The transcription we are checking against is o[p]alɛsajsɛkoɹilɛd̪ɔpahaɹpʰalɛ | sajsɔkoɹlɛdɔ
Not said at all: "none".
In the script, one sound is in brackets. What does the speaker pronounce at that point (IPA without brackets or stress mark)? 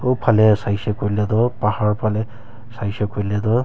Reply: pʰ